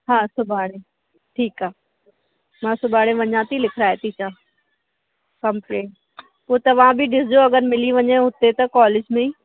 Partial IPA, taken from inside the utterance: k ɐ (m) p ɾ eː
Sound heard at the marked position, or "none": m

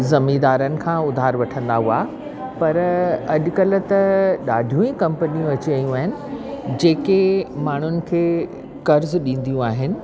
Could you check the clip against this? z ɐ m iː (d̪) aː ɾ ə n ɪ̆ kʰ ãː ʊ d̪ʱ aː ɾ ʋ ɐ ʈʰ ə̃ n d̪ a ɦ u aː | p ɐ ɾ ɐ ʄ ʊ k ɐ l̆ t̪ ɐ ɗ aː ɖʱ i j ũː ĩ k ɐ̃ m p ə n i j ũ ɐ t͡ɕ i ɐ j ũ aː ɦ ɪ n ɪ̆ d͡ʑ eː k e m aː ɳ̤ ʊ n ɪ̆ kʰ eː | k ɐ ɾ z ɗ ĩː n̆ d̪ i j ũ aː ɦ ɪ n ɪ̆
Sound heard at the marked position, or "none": d̪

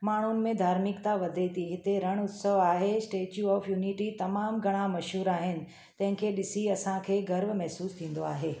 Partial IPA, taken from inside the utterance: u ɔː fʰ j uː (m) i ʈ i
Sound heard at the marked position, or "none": n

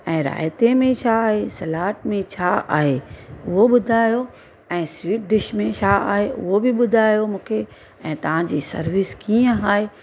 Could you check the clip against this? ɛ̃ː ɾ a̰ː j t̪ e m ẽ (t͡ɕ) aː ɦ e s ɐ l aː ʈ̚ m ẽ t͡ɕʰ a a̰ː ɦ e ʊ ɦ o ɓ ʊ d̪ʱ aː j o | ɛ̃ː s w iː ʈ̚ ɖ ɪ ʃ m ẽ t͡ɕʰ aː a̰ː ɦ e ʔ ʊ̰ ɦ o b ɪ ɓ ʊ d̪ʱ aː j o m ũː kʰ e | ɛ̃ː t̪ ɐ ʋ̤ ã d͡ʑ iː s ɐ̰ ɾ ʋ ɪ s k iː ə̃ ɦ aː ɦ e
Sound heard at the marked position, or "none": t͡ɕʰ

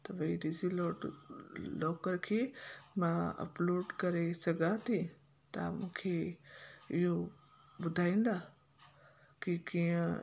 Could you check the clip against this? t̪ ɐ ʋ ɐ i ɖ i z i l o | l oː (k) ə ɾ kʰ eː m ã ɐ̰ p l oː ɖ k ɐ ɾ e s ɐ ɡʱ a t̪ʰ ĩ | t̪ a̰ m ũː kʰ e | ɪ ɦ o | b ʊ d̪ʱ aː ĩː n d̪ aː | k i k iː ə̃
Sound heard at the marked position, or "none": k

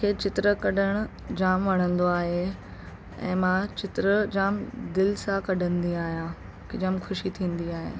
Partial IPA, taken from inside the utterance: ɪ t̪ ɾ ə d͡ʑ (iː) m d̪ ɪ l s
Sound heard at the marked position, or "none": aː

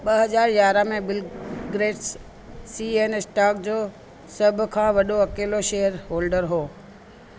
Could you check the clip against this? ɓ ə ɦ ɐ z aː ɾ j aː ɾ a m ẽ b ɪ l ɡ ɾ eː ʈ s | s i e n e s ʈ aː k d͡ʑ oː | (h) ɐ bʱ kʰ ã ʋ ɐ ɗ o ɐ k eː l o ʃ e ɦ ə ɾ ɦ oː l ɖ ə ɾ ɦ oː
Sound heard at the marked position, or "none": s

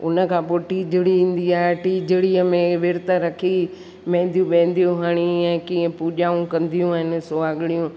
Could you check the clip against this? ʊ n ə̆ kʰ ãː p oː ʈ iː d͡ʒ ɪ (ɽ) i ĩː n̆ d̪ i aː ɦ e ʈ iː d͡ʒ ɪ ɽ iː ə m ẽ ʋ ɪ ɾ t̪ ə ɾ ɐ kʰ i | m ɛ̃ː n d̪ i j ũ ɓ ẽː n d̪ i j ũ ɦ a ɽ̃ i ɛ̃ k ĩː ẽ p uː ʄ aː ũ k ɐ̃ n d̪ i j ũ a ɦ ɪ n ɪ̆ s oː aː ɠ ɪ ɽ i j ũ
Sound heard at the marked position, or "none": ɽ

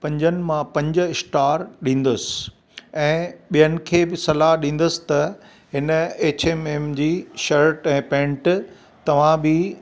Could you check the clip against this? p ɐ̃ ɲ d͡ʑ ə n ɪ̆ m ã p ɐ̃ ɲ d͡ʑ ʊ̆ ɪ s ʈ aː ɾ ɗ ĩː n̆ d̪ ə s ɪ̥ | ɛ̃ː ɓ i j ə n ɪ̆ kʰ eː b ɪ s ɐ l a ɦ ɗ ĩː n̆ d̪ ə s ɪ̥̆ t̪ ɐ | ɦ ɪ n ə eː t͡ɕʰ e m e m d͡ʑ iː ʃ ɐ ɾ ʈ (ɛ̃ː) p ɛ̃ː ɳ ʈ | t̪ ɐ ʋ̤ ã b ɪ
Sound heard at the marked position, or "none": ɛ̃ː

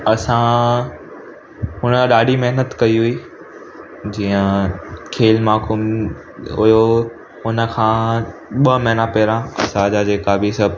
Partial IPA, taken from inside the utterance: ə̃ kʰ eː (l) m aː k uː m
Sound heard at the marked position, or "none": l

